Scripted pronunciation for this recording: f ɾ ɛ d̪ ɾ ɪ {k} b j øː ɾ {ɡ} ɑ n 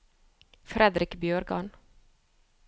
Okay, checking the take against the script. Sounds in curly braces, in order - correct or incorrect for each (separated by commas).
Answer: correct, correct